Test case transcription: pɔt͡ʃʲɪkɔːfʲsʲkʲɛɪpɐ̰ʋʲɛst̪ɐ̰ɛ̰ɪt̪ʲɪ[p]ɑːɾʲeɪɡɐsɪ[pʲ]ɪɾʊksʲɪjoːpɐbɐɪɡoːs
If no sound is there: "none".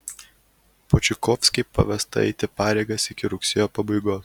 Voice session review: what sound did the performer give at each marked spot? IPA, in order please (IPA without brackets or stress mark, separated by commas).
p, kʲ